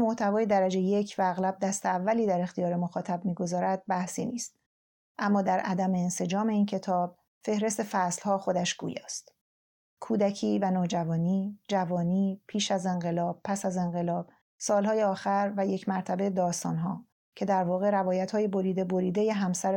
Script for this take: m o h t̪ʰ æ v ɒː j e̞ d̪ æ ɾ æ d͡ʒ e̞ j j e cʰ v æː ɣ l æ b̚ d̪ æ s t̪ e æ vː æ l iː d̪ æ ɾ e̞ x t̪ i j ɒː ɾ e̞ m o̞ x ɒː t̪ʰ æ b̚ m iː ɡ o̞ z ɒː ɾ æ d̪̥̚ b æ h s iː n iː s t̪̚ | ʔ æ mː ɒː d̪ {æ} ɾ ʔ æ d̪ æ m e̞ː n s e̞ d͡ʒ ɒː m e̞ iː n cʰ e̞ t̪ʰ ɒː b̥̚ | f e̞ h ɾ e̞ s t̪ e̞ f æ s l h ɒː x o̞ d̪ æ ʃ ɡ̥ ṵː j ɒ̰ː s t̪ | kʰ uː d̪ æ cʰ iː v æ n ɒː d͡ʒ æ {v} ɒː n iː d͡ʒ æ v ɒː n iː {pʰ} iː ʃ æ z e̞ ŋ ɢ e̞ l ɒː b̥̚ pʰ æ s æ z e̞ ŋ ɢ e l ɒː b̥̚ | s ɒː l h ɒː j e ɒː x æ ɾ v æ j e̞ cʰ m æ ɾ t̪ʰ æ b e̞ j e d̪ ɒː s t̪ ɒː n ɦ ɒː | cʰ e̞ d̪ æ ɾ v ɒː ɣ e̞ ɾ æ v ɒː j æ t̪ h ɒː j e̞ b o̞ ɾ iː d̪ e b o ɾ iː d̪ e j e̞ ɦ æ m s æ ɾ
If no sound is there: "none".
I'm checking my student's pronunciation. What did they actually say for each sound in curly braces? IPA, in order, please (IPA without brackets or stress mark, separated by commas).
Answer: æ, v, pʰ